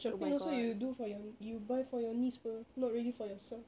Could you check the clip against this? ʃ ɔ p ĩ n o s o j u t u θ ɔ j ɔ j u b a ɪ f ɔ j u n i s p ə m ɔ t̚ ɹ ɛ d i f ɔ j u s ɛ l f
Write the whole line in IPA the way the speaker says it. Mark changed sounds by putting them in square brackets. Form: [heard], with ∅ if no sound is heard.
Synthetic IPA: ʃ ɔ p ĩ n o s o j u [d] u [f] ɔ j ɔ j u b a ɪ f ɔ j [ɔ] n i s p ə [n] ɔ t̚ ɹ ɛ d i f ɔ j [ɔ] s ɛ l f